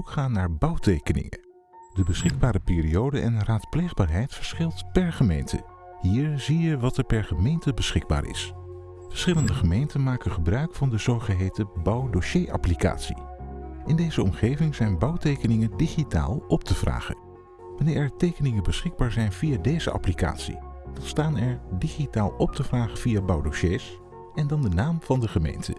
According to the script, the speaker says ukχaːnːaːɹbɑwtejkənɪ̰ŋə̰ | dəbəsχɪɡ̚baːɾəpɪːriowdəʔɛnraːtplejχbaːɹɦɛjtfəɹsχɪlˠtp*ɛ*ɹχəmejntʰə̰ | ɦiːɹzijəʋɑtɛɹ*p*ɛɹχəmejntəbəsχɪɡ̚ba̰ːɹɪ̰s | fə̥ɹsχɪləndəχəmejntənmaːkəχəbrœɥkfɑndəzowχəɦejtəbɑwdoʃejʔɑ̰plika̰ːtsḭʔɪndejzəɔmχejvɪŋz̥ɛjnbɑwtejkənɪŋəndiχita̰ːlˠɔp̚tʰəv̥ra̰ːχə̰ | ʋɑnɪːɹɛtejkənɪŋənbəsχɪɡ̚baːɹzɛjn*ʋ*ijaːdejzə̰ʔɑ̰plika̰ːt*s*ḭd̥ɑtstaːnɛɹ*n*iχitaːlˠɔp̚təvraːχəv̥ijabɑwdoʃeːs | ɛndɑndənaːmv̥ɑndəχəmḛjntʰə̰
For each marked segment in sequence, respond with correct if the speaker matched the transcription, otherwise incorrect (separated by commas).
correct, correct, incorrect, correct, incorrect